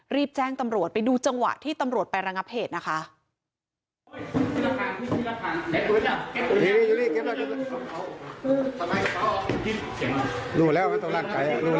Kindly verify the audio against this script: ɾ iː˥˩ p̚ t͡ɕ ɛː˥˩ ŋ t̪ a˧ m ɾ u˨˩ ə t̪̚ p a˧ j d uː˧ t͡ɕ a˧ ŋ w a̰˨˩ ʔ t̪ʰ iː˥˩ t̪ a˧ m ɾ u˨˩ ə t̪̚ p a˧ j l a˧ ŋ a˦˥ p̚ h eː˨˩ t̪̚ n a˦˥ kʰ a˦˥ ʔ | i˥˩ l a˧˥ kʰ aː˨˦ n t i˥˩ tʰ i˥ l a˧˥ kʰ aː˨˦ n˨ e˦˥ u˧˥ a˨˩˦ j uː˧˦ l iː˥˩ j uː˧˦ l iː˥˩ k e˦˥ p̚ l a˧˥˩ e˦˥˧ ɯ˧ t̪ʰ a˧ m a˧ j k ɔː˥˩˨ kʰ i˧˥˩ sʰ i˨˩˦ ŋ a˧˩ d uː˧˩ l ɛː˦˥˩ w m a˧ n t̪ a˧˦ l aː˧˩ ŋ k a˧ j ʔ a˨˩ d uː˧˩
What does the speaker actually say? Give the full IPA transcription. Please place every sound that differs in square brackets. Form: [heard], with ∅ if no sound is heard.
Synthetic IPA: ɾ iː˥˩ p̚ t͡ɕ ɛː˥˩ ŋ t̪ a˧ m ɾ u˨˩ ə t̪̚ p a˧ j d uː˧ t͡ɕ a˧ ŋ w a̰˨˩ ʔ t̪ʰ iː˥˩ t̪ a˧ m ɾ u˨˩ ə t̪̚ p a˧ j [ɾ] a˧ ŋ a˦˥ p̚ h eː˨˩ t̪̚ n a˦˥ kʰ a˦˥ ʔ | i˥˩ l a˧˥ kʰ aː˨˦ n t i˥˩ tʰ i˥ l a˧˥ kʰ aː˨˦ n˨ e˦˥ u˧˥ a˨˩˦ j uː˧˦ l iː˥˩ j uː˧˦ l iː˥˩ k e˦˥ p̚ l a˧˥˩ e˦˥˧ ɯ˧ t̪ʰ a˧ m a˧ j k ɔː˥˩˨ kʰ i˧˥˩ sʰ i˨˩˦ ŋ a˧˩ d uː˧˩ l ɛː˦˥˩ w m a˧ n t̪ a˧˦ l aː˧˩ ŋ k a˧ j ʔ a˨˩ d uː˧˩